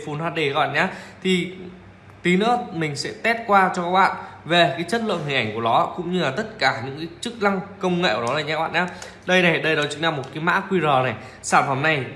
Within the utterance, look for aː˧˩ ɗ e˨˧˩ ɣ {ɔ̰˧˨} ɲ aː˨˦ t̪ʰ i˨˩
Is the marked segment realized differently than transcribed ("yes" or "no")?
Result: no